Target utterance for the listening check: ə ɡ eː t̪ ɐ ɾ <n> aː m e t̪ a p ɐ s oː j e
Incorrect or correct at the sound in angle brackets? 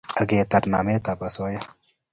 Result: correct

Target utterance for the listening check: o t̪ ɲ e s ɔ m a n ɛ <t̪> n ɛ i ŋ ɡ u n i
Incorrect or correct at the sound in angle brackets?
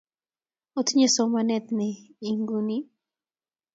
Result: correct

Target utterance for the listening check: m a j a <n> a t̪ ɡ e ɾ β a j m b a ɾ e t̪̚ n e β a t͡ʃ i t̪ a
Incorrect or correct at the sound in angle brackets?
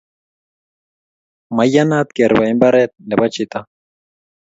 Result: correct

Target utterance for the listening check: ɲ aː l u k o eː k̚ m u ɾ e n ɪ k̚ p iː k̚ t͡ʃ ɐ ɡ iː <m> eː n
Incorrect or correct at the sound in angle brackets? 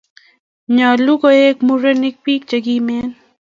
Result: correct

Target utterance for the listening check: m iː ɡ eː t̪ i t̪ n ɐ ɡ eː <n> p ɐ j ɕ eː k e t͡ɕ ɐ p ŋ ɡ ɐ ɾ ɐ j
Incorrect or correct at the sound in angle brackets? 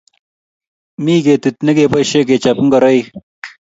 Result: incorrect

